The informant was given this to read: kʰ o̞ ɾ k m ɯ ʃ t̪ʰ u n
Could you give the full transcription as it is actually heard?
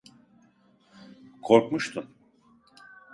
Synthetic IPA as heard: kʰ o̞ ɾ k m u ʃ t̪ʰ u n